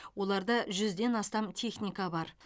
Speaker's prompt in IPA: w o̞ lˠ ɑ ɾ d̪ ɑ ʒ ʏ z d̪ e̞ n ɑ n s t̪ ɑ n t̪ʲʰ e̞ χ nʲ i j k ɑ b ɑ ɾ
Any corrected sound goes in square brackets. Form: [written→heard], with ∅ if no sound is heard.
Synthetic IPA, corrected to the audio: w o̞ lˠ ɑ ɾ d̪ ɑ ʒ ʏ z d̪ e̞ n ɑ [n→∅] s t̪ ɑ [n→m] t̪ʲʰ e̞ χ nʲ i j k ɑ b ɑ ɾ